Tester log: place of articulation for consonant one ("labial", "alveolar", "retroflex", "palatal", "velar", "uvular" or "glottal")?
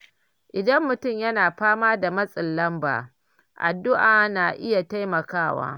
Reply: glottal